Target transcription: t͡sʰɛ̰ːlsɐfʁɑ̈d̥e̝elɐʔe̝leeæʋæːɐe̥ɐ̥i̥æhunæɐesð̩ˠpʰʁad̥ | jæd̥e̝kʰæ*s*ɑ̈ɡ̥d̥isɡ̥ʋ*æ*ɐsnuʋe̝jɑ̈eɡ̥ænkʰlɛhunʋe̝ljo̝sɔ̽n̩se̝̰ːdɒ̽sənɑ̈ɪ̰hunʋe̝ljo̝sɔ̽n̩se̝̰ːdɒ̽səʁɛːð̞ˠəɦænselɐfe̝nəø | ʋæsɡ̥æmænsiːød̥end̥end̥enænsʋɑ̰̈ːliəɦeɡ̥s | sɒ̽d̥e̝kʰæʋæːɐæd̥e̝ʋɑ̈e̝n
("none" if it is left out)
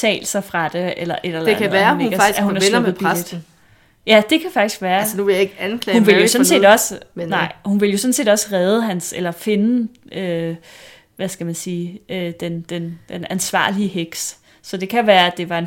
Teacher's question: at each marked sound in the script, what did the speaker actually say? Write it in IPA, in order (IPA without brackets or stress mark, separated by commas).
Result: f, æː